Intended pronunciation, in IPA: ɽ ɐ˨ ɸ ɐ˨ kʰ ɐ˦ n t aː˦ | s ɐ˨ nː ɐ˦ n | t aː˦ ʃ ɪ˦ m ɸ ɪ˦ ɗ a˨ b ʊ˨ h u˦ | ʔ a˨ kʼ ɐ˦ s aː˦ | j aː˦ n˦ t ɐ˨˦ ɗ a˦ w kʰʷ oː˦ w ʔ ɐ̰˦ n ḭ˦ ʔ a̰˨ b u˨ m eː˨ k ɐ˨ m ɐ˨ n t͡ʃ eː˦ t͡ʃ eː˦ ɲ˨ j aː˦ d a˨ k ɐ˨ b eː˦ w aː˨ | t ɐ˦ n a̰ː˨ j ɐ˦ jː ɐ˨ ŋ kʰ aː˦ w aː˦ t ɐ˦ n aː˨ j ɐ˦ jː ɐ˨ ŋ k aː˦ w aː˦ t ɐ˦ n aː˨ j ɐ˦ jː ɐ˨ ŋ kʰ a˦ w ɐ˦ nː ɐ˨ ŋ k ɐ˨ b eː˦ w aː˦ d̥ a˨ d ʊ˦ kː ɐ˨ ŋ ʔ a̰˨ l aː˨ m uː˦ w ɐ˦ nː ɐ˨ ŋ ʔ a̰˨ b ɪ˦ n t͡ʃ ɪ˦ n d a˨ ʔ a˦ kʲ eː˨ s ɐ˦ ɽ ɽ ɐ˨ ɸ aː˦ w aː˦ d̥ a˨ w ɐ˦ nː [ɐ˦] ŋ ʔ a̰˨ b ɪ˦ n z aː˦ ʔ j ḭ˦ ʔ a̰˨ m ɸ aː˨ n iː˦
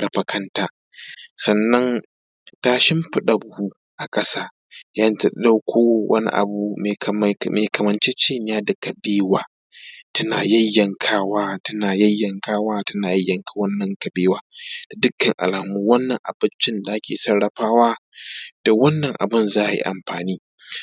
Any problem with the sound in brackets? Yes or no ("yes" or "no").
yes